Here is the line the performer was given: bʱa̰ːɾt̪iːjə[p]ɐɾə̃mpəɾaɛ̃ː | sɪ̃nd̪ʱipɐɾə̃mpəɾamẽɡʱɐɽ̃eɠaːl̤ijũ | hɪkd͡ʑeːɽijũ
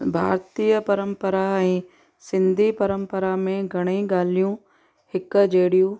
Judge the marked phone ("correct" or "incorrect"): correct